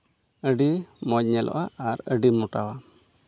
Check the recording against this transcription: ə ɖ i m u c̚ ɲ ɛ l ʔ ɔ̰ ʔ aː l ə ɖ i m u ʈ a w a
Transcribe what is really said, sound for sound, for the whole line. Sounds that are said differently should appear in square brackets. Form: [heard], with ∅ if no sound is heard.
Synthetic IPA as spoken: ə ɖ i m [ɔ] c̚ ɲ ɛ l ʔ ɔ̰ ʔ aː [ɾ] ə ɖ i m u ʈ a w a

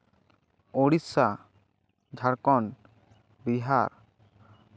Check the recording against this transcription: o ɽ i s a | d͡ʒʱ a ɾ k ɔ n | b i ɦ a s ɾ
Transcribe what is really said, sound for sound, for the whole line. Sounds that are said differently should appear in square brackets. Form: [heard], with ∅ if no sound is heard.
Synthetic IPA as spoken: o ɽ i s a | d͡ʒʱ a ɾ k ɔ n | b i ɦ a [∅] ɾ

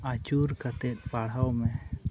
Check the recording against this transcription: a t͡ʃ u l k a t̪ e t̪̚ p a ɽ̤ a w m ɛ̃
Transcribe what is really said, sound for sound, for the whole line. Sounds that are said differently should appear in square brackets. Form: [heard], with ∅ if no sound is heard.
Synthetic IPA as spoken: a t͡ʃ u [ɾ] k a t̪ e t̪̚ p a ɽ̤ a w m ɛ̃

